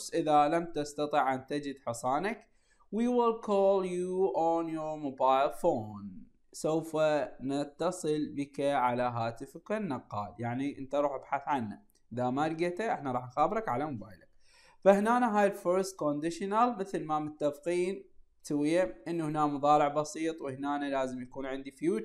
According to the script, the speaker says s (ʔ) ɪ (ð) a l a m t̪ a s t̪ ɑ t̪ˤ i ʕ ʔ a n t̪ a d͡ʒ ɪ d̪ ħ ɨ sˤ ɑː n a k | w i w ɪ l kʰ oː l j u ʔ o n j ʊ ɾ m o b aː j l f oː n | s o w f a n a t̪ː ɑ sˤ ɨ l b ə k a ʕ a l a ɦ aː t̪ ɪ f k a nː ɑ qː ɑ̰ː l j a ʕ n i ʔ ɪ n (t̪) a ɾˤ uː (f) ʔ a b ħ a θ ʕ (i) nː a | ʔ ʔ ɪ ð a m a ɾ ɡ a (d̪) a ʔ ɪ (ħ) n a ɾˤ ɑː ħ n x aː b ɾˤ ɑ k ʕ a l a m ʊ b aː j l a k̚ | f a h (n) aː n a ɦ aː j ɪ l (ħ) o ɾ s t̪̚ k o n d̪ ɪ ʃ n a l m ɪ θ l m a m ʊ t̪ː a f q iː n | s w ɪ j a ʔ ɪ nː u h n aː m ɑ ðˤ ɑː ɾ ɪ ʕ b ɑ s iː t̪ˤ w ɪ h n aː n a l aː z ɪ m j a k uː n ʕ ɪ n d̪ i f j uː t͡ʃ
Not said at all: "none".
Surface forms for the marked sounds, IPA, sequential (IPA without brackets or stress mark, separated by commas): ʔ, ð, t̪, ħ, a, t̪, ħ, n, f